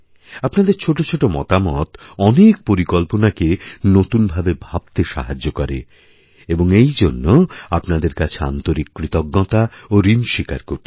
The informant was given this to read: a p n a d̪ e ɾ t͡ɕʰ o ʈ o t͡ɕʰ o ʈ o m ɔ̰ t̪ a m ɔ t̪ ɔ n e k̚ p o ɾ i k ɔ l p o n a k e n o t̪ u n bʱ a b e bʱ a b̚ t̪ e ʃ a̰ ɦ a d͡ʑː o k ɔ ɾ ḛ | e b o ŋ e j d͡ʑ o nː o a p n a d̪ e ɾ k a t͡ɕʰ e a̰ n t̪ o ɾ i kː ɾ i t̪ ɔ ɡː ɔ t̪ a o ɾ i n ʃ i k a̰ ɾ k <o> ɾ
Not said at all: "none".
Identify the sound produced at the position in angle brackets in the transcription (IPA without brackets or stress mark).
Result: o